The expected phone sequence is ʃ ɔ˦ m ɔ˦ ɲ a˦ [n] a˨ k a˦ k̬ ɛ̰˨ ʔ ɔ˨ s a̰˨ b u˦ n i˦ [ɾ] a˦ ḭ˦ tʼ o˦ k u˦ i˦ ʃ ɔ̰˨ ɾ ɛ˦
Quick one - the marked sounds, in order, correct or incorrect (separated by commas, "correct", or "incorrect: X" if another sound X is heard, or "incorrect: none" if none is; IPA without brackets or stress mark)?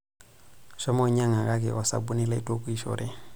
incorrect: ŋ, incorrect: l